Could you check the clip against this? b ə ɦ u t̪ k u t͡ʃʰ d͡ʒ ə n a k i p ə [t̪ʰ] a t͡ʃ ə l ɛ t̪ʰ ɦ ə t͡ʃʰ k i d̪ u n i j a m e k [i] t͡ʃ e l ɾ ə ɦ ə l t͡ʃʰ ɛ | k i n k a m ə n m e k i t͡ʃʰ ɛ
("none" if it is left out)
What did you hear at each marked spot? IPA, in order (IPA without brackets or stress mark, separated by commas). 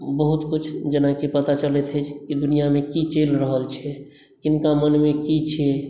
t̪, i